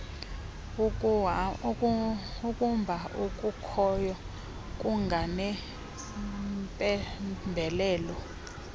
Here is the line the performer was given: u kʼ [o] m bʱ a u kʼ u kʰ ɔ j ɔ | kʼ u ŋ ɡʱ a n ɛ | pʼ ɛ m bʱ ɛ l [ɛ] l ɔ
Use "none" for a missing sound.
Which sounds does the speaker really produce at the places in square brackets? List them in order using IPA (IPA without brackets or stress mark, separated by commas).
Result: u, ɛː